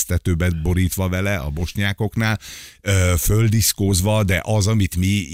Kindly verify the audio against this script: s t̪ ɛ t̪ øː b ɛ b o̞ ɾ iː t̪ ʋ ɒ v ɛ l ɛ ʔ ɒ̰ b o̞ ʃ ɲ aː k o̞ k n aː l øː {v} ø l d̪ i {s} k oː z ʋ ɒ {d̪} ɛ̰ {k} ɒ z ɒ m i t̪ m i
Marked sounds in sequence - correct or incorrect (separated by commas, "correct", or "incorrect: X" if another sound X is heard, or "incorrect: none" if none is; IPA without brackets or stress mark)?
incorrect: f, correct, correct, incorrect: ʔ